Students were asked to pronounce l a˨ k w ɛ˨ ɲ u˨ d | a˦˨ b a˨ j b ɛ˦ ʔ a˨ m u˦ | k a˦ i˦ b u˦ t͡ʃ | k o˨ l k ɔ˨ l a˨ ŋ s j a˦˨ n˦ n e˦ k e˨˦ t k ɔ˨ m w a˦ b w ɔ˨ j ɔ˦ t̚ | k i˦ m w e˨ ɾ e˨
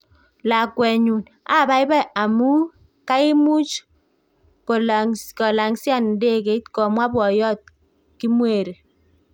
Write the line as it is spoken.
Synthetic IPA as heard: l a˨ k w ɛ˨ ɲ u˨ n | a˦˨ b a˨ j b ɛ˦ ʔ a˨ m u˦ | k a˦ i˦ m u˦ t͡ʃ | k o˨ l k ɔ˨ l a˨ ŋ s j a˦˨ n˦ d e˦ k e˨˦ t k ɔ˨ m w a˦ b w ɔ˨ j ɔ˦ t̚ | k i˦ m w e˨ ɾ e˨

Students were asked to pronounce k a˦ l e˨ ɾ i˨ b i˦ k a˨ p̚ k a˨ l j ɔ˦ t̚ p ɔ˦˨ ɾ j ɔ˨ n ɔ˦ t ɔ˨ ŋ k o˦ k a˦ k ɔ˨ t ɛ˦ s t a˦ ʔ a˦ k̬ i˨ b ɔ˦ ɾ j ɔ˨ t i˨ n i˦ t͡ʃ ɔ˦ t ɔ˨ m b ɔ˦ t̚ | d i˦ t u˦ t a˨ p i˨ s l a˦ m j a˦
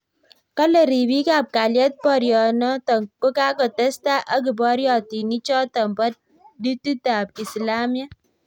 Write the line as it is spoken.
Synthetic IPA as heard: k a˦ l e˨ ɾ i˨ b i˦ k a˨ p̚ k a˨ l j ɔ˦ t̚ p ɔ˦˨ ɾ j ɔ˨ n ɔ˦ t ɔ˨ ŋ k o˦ k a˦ k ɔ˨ t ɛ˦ s t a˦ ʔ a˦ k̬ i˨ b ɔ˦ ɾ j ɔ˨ t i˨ n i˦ t͡ʃ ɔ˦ t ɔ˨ m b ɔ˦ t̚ | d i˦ t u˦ t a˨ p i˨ s l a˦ m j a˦

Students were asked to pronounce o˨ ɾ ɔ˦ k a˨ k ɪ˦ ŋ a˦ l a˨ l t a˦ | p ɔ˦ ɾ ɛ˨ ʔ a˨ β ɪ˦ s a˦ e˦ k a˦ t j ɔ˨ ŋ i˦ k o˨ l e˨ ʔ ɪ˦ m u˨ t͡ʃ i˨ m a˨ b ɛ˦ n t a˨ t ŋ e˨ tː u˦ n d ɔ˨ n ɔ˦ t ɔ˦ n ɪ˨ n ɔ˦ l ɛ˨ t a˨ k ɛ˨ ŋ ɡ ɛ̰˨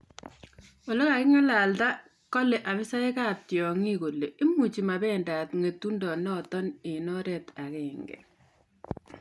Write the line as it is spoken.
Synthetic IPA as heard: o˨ l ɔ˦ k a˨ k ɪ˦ ŋ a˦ l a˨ l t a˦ | k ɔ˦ l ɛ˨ ʔ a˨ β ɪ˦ s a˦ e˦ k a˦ t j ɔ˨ ŋ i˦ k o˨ l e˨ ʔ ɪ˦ m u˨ t͡ʃ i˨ m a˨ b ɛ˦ n d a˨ t ŋ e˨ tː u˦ n d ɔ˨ n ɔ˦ t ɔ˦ n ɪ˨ n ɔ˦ ɾ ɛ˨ t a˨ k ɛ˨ ŋ ɡ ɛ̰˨

